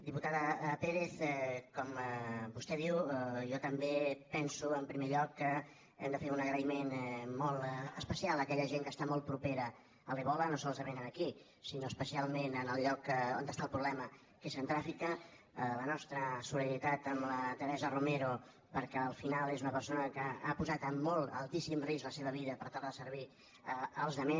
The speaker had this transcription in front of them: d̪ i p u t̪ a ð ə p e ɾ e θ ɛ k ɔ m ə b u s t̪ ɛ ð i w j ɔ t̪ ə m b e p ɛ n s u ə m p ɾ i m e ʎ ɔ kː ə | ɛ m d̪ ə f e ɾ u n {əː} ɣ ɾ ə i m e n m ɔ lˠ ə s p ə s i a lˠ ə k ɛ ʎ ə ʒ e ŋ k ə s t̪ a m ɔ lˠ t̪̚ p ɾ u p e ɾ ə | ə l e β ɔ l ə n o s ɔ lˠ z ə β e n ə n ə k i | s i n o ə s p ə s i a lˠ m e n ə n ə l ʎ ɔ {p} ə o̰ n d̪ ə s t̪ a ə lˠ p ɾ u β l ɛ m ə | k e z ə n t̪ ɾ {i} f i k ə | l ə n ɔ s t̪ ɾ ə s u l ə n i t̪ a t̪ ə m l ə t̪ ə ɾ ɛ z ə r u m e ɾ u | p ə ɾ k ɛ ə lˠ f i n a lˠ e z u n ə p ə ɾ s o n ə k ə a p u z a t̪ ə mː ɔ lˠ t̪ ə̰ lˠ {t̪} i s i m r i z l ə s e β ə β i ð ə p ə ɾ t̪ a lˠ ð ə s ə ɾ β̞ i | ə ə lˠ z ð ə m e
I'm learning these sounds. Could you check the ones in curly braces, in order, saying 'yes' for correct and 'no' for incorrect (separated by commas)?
no, no, no, yes